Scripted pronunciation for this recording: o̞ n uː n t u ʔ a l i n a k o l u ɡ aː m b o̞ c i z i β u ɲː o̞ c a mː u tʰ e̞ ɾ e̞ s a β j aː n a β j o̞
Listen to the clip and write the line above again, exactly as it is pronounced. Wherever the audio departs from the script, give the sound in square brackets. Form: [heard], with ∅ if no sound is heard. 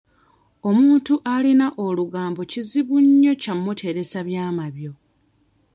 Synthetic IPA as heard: o̞ [m] uː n t u ʔ a l i n a [ʔ] o l u ɡ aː m b o̞ c i z i β u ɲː o̞ c a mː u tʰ e̞ ɾ e̞ s a β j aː [m] a β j o̞